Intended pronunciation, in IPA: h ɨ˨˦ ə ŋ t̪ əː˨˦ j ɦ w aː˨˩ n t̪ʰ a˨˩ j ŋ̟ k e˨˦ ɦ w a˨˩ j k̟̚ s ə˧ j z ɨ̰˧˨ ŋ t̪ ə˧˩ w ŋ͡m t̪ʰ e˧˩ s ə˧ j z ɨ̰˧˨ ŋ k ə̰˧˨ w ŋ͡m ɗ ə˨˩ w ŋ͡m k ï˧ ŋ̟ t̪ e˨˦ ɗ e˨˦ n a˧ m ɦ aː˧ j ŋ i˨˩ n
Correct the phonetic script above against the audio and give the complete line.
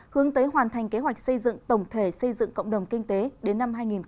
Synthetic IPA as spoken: h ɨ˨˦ ə ŋ t̪ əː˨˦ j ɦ w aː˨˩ n t̪ʰ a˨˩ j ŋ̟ k e˨˦ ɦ w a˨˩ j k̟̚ s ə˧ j z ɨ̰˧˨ ŋ t̪ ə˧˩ w ŋ͡m t̪ʰ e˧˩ s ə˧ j z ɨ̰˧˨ ŋ k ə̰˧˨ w ŋ͡m ɗ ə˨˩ w ŋ͡m k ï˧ ŋ̟ t̪ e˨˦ ɗ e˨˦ nː a˧ m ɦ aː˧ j ŋ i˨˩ n

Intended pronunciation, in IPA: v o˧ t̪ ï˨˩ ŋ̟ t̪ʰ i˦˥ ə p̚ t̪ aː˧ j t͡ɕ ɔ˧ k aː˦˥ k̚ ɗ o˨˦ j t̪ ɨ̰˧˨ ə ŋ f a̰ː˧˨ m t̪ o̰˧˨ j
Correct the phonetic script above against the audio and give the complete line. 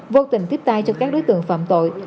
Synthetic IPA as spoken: v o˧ t̪ ï˨˩ ŋ̟ t̪ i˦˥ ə p̚ t̪ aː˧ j t͡ɕ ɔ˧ k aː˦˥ k̚ ɗ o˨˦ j t̪ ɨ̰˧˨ ə ŋ f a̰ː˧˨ m t̪ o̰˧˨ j

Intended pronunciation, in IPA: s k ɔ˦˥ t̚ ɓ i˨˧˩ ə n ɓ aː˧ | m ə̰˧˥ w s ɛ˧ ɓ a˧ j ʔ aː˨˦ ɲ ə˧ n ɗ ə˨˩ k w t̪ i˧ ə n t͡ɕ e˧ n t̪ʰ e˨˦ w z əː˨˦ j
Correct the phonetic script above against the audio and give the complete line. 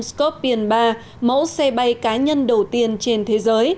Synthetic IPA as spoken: s k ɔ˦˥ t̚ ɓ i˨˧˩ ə n ɓ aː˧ | m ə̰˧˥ w s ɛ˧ ɓ a˧ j k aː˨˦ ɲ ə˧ n ɗ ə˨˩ w t̪ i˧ ə n t͡ɕ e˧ n t̪ʰ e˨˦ z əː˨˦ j

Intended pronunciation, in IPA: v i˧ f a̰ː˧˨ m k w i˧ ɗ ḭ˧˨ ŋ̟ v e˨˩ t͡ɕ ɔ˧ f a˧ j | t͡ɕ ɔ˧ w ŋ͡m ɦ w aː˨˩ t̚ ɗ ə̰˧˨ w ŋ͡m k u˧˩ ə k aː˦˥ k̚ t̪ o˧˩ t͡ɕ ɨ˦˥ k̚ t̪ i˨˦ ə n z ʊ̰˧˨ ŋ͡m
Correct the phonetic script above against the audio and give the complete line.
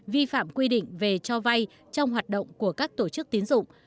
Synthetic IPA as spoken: v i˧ f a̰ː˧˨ m k w i˧ ɗ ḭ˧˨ ŋ̟ v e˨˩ t͡ɕ ɔ˧ v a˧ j | t͡ɕ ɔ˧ w ŋ͡m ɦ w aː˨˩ t̚ ɗ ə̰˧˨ w ŋ͡m k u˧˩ ə k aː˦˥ k̚ t̪ o˧˩ t͡ɕ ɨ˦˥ k̚ t̪ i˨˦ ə n z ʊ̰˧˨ ŋ͡m

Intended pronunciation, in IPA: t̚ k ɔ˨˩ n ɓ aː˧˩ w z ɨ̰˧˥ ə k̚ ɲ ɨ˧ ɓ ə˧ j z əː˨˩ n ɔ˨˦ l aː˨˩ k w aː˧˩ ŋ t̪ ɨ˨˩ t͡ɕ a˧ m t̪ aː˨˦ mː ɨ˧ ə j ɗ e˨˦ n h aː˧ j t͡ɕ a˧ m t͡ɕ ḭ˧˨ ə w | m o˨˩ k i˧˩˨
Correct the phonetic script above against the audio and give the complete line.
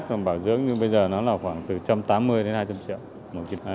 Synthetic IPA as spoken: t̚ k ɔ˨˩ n ɓ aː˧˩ w z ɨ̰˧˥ ə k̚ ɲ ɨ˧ ɓ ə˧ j z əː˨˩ n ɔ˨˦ l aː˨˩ x w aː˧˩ ŋ t̪ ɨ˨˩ t͡ɕ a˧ m t̪ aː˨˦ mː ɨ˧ ə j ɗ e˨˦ n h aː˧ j t͡ɕ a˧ m t͡ɕ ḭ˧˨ ə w | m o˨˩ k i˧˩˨

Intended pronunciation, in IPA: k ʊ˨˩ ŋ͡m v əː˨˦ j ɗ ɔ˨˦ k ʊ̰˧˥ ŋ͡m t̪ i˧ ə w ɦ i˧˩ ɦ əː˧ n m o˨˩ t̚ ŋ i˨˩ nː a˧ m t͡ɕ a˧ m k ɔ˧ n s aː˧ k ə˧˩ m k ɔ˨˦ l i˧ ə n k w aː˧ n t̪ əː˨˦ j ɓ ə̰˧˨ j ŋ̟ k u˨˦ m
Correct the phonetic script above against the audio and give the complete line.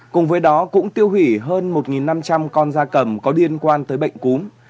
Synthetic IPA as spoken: k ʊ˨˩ ŋ͡m v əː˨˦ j ɗ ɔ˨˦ k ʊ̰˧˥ ŋ͡m t̪ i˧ ə w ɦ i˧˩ ɦ əː˧ n m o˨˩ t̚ ŋ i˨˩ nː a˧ m t͡ɕ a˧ m k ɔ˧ n z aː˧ k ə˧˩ m k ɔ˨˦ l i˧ ə n k w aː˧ n t̪ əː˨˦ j ɓ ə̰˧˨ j ŋ̟ k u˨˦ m

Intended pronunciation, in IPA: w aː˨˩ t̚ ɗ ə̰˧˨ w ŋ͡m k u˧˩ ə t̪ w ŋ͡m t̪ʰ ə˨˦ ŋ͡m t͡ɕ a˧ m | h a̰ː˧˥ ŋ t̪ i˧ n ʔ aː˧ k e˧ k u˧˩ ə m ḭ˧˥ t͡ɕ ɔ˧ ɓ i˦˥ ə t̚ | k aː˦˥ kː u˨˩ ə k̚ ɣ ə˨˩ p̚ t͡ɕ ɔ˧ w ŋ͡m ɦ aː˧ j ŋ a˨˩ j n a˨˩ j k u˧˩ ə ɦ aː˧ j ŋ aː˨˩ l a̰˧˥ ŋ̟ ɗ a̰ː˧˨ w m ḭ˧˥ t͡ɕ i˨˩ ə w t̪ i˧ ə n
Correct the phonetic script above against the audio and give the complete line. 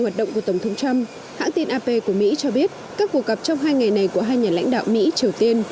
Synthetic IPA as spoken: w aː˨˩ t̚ ɗ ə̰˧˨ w ŋ͡m k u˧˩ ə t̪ w ŋ͡m t̪ʰ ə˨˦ ŋ͡m t͡ɕ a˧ m | h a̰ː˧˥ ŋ t̪ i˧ n ʔ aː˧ p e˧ k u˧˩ ə m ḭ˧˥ t͡ɕ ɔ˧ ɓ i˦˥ ə t̚ | k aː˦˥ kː u˨˩ ə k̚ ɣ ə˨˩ p̚ t͡ɕ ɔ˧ w ŋ͡m ɦ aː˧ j ŋ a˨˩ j n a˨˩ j k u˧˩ ə ɦ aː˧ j ɲ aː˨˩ l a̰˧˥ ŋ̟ ɗ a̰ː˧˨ w m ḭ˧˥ t͡ɕ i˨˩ ə w t̪ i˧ ə n

